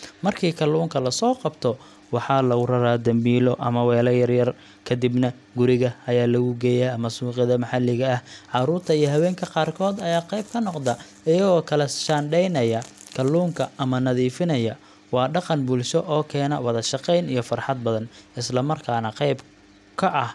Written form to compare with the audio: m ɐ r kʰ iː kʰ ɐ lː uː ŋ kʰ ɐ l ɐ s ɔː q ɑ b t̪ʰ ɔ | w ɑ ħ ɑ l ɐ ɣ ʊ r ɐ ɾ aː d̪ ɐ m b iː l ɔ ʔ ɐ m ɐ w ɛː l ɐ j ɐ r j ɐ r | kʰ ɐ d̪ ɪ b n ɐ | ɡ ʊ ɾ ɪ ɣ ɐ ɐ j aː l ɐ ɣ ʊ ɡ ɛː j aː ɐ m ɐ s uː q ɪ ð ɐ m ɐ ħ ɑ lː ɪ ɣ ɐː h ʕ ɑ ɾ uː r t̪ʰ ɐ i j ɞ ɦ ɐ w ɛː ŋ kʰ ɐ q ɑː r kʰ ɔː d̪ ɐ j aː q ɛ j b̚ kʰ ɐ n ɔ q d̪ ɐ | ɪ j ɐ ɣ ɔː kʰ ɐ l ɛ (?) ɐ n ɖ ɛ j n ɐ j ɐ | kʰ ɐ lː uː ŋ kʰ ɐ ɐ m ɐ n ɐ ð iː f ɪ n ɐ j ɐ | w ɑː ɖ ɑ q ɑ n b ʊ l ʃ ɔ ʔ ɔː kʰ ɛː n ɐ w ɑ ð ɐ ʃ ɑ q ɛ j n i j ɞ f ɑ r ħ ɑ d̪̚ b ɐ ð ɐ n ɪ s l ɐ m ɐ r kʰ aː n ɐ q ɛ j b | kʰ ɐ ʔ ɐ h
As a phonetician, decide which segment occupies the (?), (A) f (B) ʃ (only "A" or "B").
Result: B